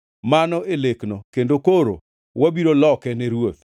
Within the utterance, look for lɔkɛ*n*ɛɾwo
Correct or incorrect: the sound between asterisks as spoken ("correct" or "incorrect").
correct